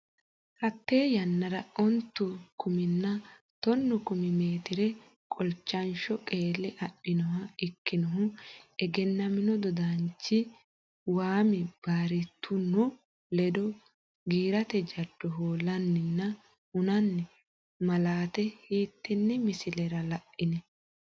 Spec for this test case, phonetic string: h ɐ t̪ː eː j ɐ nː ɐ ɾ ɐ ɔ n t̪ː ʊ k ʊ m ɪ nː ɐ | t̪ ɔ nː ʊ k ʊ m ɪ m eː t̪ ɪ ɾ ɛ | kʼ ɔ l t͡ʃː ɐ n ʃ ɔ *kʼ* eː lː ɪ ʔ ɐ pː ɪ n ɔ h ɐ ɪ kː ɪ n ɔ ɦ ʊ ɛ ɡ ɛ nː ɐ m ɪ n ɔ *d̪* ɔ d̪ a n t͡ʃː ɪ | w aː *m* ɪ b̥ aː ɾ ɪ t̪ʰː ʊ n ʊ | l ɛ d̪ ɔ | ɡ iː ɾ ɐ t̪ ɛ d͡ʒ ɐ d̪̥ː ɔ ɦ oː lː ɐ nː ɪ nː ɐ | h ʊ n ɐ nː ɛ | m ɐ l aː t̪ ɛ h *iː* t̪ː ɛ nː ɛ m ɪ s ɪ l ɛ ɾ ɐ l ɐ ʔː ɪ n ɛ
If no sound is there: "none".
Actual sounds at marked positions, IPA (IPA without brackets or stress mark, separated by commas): kʼ, d̪, m, iː